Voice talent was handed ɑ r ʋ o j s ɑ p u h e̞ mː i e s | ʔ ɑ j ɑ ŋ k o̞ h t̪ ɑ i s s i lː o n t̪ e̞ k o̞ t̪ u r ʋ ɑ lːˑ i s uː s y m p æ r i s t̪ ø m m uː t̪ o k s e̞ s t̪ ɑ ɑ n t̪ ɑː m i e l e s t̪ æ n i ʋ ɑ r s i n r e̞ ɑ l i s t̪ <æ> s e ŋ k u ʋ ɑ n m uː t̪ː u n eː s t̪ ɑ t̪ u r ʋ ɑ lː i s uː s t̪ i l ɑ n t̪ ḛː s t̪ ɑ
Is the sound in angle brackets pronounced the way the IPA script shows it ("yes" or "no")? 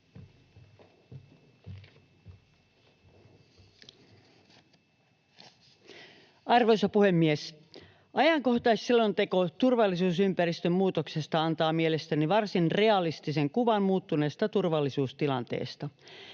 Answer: no